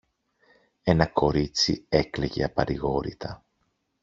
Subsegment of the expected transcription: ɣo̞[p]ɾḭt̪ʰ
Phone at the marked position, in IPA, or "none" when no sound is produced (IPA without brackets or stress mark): none